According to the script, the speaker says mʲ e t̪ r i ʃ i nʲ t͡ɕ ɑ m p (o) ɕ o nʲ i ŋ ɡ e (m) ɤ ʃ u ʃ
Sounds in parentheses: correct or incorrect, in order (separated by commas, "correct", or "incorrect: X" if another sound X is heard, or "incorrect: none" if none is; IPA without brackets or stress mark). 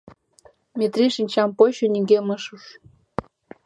correct, correct